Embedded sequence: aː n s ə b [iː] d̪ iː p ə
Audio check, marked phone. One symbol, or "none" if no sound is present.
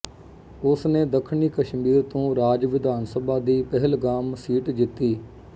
aː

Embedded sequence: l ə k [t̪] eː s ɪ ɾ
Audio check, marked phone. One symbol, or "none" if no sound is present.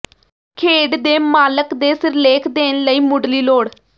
d̪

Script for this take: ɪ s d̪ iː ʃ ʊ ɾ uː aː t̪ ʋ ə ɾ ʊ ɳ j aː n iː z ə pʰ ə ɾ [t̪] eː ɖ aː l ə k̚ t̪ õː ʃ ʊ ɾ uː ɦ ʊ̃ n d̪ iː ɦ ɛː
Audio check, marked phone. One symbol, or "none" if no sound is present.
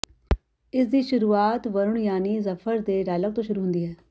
d̪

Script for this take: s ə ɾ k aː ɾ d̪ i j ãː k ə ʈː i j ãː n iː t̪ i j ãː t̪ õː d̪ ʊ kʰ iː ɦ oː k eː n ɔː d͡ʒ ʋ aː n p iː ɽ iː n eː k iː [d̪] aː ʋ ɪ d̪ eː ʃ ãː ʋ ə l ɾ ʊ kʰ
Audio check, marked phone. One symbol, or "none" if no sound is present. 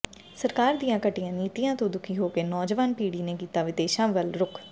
t̪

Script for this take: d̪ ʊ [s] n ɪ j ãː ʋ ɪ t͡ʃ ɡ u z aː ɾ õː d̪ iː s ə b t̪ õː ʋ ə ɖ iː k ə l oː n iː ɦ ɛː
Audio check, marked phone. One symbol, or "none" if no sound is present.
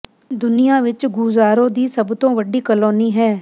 none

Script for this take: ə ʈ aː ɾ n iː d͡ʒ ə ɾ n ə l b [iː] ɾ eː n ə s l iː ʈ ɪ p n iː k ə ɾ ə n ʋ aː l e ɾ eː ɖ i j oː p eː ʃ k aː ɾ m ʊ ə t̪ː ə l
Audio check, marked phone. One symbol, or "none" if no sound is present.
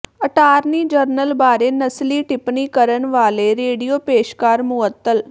aː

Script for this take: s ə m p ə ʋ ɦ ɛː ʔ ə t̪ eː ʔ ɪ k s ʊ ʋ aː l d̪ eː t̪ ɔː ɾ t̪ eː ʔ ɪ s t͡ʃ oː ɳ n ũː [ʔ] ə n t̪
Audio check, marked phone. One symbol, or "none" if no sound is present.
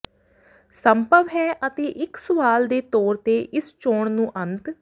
ʔ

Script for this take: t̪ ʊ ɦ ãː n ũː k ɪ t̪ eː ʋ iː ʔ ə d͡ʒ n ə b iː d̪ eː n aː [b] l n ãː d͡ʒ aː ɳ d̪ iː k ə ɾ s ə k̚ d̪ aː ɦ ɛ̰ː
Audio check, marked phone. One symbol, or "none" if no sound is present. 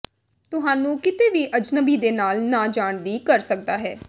none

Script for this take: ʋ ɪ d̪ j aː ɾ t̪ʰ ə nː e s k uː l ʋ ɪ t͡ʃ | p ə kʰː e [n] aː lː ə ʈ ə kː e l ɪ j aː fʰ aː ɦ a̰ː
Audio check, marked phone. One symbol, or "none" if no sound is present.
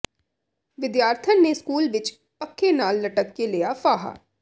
n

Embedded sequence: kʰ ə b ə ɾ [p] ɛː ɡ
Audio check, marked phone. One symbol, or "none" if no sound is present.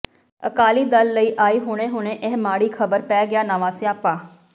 p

